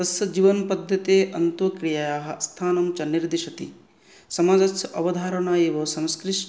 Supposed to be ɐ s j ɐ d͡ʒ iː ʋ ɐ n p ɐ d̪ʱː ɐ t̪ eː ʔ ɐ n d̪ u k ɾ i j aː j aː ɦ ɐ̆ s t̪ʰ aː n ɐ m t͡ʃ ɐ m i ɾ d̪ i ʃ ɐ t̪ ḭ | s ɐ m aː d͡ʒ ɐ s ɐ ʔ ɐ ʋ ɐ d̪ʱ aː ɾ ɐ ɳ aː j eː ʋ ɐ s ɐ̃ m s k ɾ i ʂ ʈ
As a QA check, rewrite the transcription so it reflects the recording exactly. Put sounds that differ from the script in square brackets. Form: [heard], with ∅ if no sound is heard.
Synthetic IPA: ɐ s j ɐ d͡ʒ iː ʋ ɐ n p ɐ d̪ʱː ɐ t̪ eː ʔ ɐ n [t̪] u k ɾ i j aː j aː ɦ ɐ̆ s t̪ʰ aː n ɐ m t͡ʃ ɐ [n] i ɾ d̪ i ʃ ɐ t̪ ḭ | s ɐ m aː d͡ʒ ɐ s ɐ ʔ ɐ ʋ ɐ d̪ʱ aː ɾ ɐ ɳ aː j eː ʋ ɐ s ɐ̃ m s k ɾ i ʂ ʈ